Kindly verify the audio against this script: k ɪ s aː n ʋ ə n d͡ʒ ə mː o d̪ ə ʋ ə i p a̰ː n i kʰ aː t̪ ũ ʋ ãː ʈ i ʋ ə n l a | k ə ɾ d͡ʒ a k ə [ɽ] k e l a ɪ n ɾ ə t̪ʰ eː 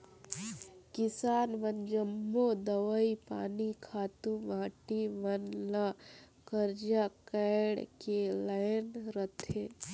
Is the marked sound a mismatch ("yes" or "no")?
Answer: no